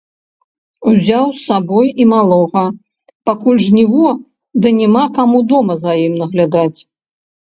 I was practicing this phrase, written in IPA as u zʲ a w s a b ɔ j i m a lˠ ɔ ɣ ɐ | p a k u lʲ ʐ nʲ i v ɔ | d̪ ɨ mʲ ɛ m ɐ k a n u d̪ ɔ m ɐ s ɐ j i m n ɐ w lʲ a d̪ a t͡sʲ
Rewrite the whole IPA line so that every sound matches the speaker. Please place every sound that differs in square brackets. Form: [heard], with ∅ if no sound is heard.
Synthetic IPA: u zʲ a w s a b ɔ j i m a lˠ ɔ ɣ ɐ | p a k u lʲ ʐ nʲ i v ɔ | d̪ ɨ [nʲ] ɛ m [a] k a [m] u d̪ ɔ m ɐ [z] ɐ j i m n ɐ [ɣ] lʲ a d̪ a t͡sʲ

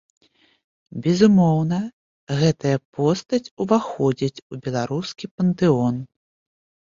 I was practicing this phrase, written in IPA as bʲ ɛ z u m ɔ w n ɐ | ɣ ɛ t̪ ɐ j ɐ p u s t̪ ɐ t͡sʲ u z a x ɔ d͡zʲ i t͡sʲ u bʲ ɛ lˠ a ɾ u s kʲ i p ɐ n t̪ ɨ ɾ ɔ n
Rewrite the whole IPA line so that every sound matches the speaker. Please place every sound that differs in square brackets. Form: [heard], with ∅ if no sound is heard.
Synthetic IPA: bʲ ɛ z u m ɔ w n ɐ | ɣ ɛ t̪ ɐ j ɐ p [ɔ] s t̪ ɐ t͡sʲ u [v] a x ɔ d͡zʲ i t͡sʲ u bʲ ɛ lˠ a ɾ u s kʲ i p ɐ n t̪ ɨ [∅] ɔ n

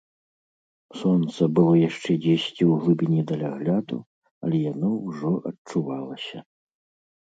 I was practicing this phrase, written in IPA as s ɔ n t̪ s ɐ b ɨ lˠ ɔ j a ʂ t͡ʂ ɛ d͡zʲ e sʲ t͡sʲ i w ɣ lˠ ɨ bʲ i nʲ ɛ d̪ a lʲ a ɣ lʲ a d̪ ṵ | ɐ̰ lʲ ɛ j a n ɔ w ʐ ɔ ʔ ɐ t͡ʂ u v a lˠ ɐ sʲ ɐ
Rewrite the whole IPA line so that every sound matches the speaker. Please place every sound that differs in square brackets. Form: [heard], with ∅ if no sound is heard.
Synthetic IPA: s ɔ n t̪ s ɐ b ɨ lˠ ɔ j a ʂ t͡ʂ ɛ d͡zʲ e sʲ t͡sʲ i w ɣ lˠ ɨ bʲ i nʲ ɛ d̪ [ɐ] lʲ a ɣ lʲ a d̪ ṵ | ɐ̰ lʲ ɛ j a n ɔ w ʐ ɔ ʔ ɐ t͡ʂ u v a lˠ ɐ sʲ ɐ

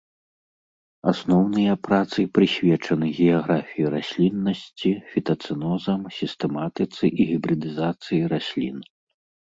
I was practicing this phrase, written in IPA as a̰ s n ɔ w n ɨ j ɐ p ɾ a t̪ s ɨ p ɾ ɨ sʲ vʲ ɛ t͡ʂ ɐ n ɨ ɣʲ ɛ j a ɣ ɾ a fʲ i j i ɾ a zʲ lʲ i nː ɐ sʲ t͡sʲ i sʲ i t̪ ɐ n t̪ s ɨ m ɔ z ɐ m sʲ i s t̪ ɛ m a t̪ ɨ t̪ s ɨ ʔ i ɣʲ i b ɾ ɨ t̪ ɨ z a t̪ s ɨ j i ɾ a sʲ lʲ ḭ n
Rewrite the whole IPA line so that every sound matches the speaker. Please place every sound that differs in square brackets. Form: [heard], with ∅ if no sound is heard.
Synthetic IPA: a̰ s n ɔ w n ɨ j ɐ p ɾ a t̪ s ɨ p ɾ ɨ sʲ vʲ ɛ t͡ʂ ɐ n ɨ ɣʲ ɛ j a ɣ ɾ a fʲ i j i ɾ a [sʲ] lʲ i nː ɐ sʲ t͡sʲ i [fʲ] i t̪ ɐ [∅] t̪ s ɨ [n] ɔ z ɐ m sʲ i s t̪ ɛ m a t̪ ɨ t̪ s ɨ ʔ i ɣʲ i b ɾ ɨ [d̪] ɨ z a t̪ s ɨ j i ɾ a sʲ lʲ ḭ n

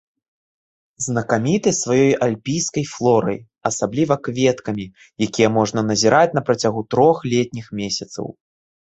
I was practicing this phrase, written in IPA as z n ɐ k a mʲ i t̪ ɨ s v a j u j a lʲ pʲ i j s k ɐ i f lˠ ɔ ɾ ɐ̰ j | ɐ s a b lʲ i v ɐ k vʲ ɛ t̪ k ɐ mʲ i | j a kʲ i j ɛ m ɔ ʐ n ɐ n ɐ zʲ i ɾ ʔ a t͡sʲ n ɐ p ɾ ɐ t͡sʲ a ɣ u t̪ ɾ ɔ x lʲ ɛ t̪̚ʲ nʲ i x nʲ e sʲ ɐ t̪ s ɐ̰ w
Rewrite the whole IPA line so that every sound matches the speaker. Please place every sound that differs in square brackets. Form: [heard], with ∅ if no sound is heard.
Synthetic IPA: z n ɐ k a mʲ i t̪ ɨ s v a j [ɔ] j a lʲ pʲ i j s k ɐ [j] f lˠ ɔ ɾ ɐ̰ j | ɐ s a b lʲ i v ɐ k vʲ ɛ t̪ k ɐ mʲ i | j a kʲ i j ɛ m ɔ ʐ n ɐ n ɐ zʲ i ɾ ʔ a t͡sʲ n ɐ p ɾ ɐ t͡sʲ a ɣ u t̪ ɾ ɔ x lʲ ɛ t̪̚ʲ nʲ i x [mʲ] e sʲ ɐ t̪ s ɐ̰ w

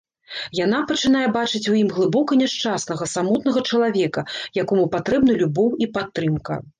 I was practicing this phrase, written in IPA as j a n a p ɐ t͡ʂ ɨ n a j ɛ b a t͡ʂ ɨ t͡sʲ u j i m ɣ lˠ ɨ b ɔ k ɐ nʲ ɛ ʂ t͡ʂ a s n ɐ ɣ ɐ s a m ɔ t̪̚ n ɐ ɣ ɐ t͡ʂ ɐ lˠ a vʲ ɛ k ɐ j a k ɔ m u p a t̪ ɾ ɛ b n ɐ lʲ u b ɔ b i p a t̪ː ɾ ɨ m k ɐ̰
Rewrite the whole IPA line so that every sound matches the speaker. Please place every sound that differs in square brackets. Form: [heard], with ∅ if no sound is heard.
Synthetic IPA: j a n a p ɐ t͡ʂ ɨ n a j ɛ b a t͡ʂ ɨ t͡sʲ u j i m ɣ lˠ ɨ b ɔ k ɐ nʲ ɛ ʂ t͡ʂ a s n ɐ ɣ ɐ s a m ɔ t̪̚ n ɐ ɣ ɐ t͡ʂ ɐ lˠ a vʲ ɛ k ɐ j a k ɔ m u p a t̪ ɾ ɛ b n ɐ lʲ u b ɔ [w] i p a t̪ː ɾ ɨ m k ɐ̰

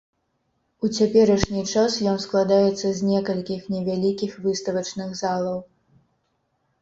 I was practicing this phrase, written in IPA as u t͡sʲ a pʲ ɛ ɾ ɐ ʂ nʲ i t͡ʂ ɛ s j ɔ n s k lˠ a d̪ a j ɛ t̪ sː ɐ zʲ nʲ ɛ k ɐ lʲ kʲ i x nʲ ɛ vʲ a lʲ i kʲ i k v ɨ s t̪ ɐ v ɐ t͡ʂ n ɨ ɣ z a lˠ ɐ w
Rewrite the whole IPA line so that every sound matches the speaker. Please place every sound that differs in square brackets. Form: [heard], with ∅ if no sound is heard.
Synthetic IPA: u t͡sʲ a pʲ ɛ ɾ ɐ ʂ nʲ i t͡ʂ [a] s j ɔ n s k lˠ a d̪ a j ɛ t̪ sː ɐ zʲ nʲ ɛ k ɐ lʲ kʲ i x nʲ ɛ vʲ a lʲ i kʲ i [x] v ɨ s t̪ ɐ v ɐ t͡ʂ n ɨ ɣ z a lˠ ɐ w

